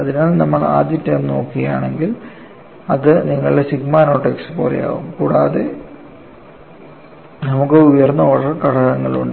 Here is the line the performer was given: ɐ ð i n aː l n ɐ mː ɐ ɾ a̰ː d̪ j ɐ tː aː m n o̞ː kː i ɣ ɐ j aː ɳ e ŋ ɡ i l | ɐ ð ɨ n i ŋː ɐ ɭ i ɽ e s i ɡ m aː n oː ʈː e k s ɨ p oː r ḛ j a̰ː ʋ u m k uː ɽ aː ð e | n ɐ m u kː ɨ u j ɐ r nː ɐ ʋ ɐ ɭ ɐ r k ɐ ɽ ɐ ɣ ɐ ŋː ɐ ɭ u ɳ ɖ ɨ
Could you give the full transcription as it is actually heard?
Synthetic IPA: ɐ ð i n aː l n ɐ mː ɐ ɭ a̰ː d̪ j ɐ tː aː m n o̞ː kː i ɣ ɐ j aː ɳ e ŋ ɡ i l | ɐ ð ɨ n i ŋː ɐ ɭ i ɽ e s i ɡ m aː n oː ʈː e k s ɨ p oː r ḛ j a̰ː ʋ u m k uː ɽ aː ð e | n ɐ m u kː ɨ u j ɐ r nː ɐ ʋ ɐ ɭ ɐ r k ɐ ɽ ɐ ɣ ɐ ŋː ɐ ɭ u ɳ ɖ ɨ